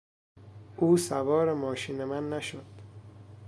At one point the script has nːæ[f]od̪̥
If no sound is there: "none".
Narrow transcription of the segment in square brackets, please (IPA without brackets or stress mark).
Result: ʃ